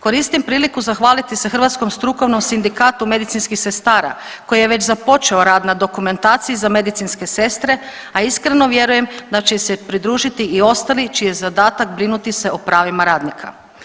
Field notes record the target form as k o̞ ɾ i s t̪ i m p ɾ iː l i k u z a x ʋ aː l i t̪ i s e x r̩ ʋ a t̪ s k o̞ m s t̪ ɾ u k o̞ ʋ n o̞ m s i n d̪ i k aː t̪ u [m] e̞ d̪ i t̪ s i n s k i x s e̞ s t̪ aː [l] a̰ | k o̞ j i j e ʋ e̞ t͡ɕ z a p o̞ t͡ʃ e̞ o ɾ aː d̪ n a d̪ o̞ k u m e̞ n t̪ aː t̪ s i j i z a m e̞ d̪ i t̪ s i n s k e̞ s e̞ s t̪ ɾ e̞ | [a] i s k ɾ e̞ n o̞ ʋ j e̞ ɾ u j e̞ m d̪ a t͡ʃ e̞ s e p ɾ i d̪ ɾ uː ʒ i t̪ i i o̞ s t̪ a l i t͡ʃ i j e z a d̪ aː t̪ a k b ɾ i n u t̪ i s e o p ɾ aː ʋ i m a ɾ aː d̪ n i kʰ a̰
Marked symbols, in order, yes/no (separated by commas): yes, no, yes